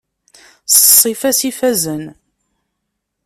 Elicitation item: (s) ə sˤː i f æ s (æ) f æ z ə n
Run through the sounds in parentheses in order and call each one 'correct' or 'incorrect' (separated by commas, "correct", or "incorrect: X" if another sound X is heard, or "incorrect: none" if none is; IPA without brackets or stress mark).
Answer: correct, incorrect: i